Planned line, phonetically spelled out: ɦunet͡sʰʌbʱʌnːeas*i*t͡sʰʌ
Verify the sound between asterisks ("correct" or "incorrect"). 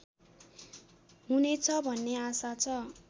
incorrect